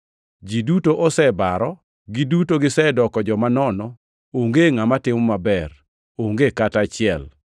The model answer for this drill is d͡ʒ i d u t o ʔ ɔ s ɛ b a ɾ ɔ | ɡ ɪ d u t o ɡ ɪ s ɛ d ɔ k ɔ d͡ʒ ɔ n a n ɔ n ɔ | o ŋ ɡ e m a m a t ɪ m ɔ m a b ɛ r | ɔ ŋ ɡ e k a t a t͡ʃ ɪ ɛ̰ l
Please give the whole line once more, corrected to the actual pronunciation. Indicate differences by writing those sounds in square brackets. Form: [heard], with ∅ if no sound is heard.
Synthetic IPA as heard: d͡ʒ i d u t o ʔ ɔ s ɛ b a ɾ ɔ | ɡ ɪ d u t o ɡ ɪ s ɛ d ɔ k ɔ d͡ʒ ɔ [m] a n ɔ n ɔ | o ŋ ɡ e [ŋ] a m a t ɪ m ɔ m a b ɛ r | [o] ŋ ɡ e k a t a t͡ʃ ɪ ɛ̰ l